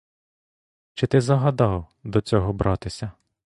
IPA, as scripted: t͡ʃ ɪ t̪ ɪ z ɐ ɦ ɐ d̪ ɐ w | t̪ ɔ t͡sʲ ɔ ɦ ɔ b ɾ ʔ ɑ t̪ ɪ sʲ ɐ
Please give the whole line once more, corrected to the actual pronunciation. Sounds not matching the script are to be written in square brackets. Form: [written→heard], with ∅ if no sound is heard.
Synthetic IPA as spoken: t͡ʃ ɪ t̪ ɪ z ɐ ɦ ɐ d̪ [ɐ→ɑ] w | [t̪→d̪] ɔ t͡sʲ ɔ ɦ ɔ b ɾ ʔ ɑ t̪ ɪ sʲ ɐ